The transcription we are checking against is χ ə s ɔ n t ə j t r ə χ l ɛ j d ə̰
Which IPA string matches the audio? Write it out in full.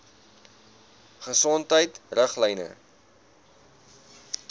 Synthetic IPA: χ ə s ɔ n t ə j t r ə χ l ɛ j n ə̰

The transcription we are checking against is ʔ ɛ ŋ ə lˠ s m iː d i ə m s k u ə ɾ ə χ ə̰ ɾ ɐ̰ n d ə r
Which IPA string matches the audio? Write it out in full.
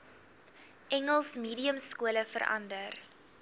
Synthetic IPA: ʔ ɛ ŋ ə lˠ s m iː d i ə m s k u ə l ə f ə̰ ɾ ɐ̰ n d ə r

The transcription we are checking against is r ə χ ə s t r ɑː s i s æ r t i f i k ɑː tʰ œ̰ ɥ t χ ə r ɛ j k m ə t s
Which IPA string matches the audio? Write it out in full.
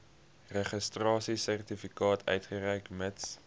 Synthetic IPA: r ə χ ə s t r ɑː s i s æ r t i f i k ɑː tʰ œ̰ ɥ t χ ə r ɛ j k m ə t s

